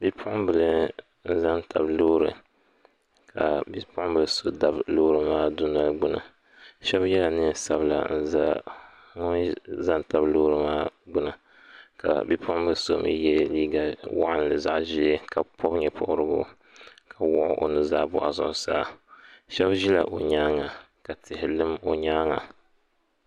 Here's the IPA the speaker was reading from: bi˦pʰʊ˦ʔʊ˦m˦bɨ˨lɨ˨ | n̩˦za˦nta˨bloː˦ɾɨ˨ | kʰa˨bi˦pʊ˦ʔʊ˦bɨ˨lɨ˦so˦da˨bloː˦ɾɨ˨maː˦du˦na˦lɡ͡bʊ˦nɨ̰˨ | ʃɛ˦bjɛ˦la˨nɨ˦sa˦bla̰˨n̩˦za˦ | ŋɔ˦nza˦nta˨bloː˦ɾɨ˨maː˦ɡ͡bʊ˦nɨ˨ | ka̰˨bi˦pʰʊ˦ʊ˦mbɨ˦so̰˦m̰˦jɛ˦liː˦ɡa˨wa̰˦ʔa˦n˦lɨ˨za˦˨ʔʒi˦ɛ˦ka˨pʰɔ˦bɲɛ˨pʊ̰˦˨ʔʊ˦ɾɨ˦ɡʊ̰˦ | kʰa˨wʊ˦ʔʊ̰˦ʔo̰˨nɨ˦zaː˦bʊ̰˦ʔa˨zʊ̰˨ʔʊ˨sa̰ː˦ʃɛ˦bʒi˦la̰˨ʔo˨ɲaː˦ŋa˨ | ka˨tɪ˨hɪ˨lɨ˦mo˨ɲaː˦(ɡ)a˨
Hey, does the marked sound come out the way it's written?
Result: no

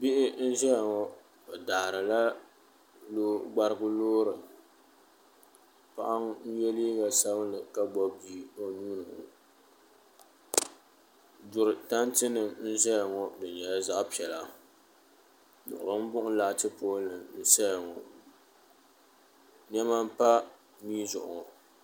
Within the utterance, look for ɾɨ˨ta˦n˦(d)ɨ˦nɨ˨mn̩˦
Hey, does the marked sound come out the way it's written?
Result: no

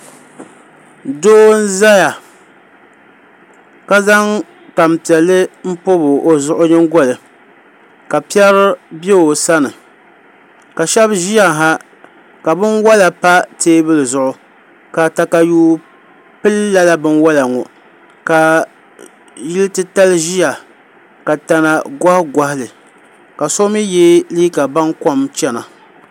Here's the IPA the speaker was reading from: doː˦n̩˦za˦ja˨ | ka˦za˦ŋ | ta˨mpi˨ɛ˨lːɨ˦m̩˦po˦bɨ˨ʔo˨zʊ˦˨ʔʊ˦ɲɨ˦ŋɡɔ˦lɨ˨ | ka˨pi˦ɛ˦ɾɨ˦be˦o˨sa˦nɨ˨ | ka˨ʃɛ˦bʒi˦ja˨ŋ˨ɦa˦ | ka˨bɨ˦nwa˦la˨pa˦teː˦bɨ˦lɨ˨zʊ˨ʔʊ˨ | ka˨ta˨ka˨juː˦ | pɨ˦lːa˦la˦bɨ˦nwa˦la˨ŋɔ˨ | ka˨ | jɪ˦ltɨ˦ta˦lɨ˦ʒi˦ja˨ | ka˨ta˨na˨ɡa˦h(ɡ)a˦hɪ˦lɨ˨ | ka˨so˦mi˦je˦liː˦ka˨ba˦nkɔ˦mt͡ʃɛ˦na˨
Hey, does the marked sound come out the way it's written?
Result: yes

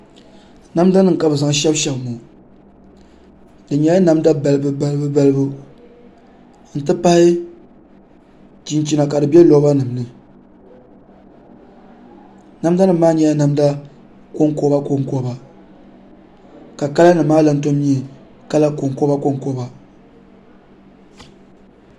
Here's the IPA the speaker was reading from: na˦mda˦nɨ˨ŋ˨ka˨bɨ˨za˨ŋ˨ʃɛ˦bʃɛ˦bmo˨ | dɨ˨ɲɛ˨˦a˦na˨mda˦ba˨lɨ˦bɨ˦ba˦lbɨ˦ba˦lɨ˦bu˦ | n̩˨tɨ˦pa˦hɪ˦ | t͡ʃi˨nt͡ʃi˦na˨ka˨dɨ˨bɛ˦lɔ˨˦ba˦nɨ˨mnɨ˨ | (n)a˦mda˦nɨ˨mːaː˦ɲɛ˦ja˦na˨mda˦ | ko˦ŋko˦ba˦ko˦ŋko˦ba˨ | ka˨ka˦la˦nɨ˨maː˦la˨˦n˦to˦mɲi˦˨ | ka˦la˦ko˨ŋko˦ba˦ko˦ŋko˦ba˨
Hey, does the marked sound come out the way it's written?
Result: yes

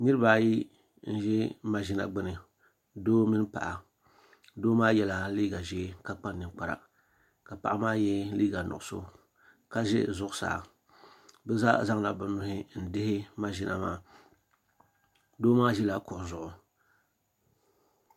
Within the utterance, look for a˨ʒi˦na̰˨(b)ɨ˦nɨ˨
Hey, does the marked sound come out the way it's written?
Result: no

